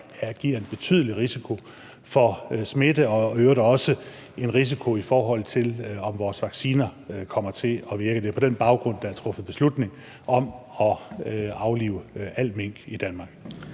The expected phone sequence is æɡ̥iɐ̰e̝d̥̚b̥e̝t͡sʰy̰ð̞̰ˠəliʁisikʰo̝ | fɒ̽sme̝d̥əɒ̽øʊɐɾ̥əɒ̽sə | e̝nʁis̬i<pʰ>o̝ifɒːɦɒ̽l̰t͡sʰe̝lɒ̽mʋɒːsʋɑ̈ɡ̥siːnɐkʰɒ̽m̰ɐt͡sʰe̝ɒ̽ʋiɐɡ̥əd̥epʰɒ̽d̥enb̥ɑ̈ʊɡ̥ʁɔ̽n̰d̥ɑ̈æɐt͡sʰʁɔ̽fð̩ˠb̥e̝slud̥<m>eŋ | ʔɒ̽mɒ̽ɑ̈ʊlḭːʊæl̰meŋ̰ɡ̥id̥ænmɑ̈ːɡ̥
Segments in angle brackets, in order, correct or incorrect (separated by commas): incorrect, incorrect